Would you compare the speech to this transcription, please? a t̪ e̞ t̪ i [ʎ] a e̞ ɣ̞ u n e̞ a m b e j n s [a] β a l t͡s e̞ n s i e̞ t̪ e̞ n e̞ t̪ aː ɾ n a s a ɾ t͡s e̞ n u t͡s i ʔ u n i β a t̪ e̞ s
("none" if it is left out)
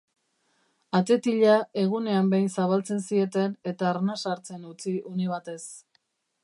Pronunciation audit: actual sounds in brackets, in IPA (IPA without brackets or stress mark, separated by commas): ʎ, a